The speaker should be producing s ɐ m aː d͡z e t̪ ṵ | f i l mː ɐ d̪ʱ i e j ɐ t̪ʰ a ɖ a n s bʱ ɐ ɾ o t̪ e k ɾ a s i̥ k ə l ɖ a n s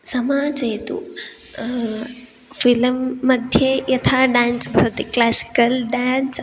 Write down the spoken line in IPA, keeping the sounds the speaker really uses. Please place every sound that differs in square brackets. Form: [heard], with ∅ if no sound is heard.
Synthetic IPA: s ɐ m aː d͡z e t̪ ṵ | f i l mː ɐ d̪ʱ [j] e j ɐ t̪ʰ a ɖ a n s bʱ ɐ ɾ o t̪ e k [l] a s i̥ k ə l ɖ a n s

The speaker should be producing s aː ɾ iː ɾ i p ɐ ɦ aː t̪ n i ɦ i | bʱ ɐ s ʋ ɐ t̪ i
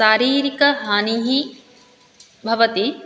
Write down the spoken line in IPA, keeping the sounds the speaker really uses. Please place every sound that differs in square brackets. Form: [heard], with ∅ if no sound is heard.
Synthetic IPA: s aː ɾ iː ɾ i [k] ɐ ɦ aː [∅] n i ɦ i | bʱ ɐ [∅] ʋ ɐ t̪ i

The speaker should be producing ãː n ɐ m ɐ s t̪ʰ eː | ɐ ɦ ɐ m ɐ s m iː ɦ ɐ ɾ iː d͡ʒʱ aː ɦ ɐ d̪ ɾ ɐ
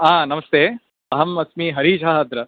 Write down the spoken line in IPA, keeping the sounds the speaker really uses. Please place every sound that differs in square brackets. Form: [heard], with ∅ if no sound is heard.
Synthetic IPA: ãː n ɐ m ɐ s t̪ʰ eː | ɐ ɦ ɐ m ɐ s m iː ɦ ɐ ɾ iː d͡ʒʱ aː ɦ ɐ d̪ ɾ ɐ

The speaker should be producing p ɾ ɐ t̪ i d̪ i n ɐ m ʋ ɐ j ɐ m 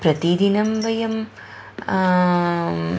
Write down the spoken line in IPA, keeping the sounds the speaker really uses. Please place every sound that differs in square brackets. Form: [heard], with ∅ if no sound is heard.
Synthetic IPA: p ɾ ɐ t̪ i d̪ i n ɐ m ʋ ɐ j ɐ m

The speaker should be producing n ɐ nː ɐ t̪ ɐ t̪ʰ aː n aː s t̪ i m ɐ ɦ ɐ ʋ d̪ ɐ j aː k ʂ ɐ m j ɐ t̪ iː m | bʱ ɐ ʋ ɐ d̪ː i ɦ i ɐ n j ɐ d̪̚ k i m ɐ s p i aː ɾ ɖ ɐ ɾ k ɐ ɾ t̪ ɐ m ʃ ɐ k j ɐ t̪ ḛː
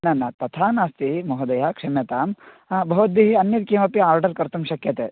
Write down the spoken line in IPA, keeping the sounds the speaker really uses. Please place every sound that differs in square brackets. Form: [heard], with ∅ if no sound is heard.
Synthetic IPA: n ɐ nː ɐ t̪ ɐ t̪ʰ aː n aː s t̪ i m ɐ ɦ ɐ [∅] d̪ ɐ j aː k ʂ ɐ m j ɐ t̪ [aː] m | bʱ ɐ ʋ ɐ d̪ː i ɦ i ɐ n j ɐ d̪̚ k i m ɐ [∅] p i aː ɾ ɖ ɐ ɾ k ɐ ɾ t̪ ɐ m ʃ ɐ k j ɐ t̪ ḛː

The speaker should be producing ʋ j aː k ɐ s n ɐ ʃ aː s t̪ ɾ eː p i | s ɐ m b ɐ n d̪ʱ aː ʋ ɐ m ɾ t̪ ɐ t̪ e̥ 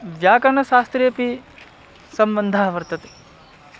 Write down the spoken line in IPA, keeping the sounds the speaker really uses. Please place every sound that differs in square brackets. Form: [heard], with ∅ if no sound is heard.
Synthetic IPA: ʋ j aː k ɐ [∅] n ɐ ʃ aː s t̪ ɾ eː p i | s ɐ m b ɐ n d̪ʱ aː ʋ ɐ [∅] ɾ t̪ ɐ t̪ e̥

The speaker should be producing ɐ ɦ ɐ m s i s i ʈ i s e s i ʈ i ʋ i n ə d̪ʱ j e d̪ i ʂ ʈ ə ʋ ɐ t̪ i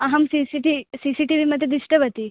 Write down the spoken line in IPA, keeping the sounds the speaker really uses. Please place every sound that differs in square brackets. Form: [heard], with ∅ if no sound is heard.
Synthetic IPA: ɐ ɦ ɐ m s i s i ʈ i s [i] s i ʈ i ʋ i [m] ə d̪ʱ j e d̪ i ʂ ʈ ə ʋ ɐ t̪ i

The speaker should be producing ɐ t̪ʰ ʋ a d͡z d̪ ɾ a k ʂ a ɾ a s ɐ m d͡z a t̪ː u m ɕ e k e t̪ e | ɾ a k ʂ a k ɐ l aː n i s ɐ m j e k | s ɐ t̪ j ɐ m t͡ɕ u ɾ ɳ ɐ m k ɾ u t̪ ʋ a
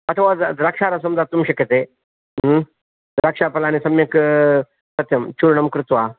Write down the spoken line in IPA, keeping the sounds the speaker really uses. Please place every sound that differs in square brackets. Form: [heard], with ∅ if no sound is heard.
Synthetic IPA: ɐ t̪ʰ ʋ a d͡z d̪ ɾ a k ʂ a ɾ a s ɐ m d͡z a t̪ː u m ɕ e k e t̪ e | ɾ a k ʂ a [p] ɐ l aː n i s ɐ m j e k | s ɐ t̪ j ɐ m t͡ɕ u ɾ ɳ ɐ m k ɾ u t̪ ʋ a

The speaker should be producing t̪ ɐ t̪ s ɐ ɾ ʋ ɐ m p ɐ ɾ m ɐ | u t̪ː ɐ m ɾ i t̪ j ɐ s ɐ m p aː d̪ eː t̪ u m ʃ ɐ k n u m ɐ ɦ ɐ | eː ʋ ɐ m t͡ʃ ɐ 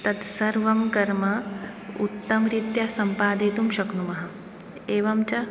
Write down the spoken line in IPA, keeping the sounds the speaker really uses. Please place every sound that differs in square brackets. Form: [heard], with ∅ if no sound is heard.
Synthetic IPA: t̪ ɐ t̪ s ɐ ɾ ʋ ɐ m [k] ɐ ɾ m ɐ | u t̪ː ɐ m ɾ i t̪ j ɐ s ɐ m p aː d̪ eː t̪ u m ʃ ɐ k n u m ɐ ɦ ɐ | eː ʋ ɐ m t͡ʃ ɐ

